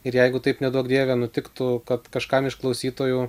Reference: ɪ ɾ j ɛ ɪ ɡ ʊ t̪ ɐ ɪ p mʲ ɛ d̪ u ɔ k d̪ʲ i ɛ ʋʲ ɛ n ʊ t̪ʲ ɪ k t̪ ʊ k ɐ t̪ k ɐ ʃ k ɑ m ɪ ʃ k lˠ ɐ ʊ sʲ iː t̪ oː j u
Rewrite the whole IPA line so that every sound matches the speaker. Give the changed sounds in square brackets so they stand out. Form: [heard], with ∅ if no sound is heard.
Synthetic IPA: ɪ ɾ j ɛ ɪ ɡ ʊ t̪ ɐ ɪ p [nʲ] ɛ d̪ u ɔ k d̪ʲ i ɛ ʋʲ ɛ n ʊ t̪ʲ ɪ k t̪ ʊ k ɐ t̪ k ɐ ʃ k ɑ m ɪ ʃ k lˠ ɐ ʊ sʲ iː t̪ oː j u